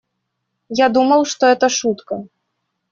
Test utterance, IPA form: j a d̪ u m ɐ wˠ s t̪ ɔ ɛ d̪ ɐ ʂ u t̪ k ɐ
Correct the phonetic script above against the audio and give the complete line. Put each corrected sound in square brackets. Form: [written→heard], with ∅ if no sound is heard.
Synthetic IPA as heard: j a d̪ u m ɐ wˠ [s→ʂ] t̪ ɔ ɛ [d̪→t̪] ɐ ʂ u t̪ k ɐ

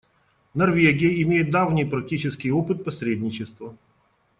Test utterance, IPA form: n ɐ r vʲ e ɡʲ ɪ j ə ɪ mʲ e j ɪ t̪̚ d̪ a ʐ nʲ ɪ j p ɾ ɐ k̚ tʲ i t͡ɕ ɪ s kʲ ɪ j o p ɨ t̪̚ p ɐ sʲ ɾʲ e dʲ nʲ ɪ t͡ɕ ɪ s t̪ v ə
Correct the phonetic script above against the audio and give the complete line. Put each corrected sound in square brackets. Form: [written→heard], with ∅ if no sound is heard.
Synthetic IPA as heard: n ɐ r vʲ e ɡʲ ɪ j ə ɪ mʲ e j ɪ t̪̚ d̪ a [ʐ→v] nʲ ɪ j p ɾ ɐ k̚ tʲ i t͡ɕ ɪ s kʲ ɪ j o p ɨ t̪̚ p ɐ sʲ ɾʲ e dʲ nʲ ɪ t͡ɕ ɪ s t̪ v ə

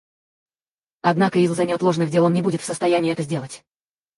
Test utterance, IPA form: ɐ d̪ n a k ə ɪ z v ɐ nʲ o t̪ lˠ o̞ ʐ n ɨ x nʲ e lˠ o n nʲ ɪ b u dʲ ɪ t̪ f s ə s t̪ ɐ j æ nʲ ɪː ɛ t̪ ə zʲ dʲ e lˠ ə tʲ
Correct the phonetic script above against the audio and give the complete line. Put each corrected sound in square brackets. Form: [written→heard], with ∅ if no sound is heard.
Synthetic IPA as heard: ɐ d̪ n a k ə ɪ z [v→z] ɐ nʲ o t̪ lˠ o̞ ʐ n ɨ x [nʲ→dʲ] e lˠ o n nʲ ɪ b u dʲ ɪ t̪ f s ə s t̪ ɐ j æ nʲ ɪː ɛ t̪ ə zʲ dʲ e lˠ ə tʲ

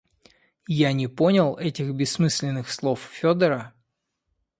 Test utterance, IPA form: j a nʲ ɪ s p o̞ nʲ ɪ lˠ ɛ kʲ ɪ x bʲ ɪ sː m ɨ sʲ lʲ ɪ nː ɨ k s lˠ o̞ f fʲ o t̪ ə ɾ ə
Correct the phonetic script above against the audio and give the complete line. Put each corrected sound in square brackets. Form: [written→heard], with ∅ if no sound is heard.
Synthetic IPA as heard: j a nʲ ɪ [s→∅] p o̞ nʲ ɪ lˠ ɛ [kʲ→tʲ] ɪ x bʲ ɪ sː m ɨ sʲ lʲ ɪ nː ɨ [k→x] s lˠ o̞ f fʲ o [t̪→d̪] ə ɾ ə

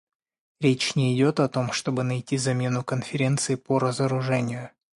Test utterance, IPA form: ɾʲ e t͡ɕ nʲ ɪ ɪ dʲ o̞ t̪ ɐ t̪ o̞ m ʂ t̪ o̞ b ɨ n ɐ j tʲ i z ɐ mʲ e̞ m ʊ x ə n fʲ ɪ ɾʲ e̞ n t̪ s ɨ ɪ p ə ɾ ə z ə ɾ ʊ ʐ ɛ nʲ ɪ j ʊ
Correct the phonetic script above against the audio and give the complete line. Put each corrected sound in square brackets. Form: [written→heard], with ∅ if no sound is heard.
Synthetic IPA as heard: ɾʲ e t͡ɕ nʲ ɪ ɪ dʲ o̞ t̪ ɐ t̪ o̞ m ʂ t̪ o̞ b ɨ n ɐ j tʲ i z ɐ mʲ e̞ [m→n] ʊ [x→k] ə n fʲ ɪ ɾʲ e̞ n t̪ s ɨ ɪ p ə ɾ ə z ə ɾ ʊ ʐ ɛ nʲ ɪ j ʊ

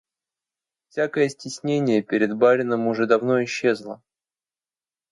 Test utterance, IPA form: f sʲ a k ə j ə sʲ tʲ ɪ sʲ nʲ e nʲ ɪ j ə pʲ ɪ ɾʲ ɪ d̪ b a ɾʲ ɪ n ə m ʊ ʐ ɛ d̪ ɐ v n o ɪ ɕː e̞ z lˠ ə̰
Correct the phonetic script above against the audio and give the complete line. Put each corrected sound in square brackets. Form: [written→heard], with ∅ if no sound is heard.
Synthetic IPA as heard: f sʲ a k ə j ə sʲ tʲ ɪ sʲ nʲ e nʲ ɪ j ə pʲ ɪ ɾʲ ɪ d̪ b a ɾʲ ɪ n ə m ʊ ʐ ɛ d̪ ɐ v n o ɪ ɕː e̞ z lˠ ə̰

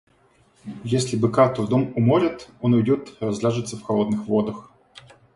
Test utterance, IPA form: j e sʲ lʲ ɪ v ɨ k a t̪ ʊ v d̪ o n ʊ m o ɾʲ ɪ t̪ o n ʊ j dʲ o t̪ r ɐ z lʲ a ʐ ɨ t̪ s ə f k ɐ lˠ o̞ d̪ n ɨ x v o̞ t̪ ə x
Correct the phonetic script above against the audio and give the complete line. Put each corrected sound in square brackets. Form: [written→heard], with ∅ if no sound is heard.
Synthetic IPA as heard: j e sʲ lʲ ɪ [v→b] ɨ k a t̪ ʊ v d̪ o [n→m] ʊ m o ɾʲ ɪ t̪ o n ʊ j dʲ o t̪ r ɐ z lʲ a ʐ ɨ t̪ s ə f [k→x] ɐ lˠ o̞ d̪ n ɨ x v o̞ [t̪→d̪] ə x

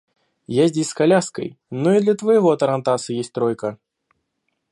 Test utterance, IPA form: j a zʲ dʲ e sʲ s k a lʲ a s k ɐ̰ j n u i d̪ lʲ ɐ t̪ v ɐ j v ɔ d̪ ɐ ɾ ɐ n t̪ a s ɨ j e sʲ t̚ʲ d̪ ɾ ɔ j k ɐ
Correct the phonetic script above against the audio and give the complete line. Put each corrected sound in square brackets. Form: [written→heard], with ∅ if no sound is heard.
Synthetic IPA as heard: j a zʲ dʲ e sʲ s k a lʲ a s k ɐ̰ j n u i d̪ lʲ ɐ t̪ v ɐ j [v→ɣ] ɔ [d̪→t̪] ɐ ɾ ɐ n t̪ a s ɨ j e sʲ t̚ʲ [d̪→t̪] ɾ ɔ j k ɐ

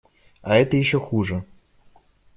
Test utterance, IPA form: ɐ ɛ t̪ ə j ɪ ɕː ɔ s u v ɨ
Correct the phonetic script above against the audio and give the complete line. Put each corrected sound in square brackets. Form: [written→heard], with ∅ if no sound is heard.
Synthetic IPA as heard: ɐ ɛ t̪ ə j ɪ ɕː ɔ [s→x] u [v→ʐ] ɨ

